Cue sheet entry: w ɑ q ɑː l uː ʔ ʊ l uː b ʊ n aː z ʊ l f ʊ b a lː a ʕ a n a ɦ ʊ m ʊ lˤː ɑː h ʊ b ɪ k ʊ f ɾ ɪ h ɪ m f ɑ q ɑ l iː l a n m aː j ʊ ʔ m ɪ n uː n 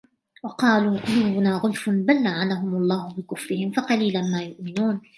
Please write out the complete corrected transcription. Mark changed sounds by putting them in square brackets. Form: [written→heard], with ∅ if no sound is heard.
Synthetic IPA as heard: w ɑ q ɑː l uː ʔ ʊ l uː b ʊ n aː [z→ɣ] ʊ l f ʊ b a lː a ʕ a n a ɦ ʊ m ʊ lˤː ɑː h ʊ b ɪ k ʊ f ɾ ɪ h ɪ m f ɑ q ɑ l iː l a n m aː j ʊ ʔ m ɪ n uː n